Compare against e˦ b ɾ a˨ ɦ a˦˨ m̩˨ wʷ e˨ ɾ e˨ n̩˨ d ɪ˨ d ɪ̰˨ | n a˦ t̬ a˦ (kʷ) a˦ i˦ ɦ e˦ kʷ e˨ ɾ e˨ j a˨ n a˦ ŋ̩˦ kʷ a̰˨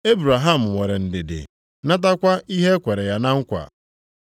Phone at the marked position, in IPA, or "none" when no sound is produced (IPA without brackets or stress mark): kʷ